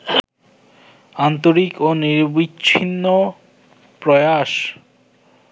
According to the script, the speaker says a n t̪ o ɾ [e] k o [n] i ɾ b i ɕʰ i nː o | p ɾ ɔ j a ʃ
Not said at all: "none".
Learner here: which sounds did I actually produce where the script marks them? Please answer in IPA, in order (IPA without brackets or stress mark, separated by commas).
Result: i, n